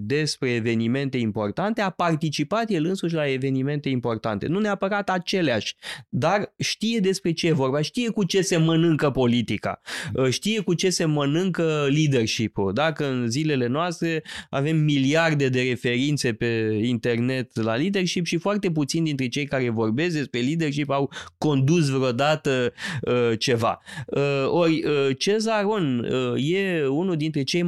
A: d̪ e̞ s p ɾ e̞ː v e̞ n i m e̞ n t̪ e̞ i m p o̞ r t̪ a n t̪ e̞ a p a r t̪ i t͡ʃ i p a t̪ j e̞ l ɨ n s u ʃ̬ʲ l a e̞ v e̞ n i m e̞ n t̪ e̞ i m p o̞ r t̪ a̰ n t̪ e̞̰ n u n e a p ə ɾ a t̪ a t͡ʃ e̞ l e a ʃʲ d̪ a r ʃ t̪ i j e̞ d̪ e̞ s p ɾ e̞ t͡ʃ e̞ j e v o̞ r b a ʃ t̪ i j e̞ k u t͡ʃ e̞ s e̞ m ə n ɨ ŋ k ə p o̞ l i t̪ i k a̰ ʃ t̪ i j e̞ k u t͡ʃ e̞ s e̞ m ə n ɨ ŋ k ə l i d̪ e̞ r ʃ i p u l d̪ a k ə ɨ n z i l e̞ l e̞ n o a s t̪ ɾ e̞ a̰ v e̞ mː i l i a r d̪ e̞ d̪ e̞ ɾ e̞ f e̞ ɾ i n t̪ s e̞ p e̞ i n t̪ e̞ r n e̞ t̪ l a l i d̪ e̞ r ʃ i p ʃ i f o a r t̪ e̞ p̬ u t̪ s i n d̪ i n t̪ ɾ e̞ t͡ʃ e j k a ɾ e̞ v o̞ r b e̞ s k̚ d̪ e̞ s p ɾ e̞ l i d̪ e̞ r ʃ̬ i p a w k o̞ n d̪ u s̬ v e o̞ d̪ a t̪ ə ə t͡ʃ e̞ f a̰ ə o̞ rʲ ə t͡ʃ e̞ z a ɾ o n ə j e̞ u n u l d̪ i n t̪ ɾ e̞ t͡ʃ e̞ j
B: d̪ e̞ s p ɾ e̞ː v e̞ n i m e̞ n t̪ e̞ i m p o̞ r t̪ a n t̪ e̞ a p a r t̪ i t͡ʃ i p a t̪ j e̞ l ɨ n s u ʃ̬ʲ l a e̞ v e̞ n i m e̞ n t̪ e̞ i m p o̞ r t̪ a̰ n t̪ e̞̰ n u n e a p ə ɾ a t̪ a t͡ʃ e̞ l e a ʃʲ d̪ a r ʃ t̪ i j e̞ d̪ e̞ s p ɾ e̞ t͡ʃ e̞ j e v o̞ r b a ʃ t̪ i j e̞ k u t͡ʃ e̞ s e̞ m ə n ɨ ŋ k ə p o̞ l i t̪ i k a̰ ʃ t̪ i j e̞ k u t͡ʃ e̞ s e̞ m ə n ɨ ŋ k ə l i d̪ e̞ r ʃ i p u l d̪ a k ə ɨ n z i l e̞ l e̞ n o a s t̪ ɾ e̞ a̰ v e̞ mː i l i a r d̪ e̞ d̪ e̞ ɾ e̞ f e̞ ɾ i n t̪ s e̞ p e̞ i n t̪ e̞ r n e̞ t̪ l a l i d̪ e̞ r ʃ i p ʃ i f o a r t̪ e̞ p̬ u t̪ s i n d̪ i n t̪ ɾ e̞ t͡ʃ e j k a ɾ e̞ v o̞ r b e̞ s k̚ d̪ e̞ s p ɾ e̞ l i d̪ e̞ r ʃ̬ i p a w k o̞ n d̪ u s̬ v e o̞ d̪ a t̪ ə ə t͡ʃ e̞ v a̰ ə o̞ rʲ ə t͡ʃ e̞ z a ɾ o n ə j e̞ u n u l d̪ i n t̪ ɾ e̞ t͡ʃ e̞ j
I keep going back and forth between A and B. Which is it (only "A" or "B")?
B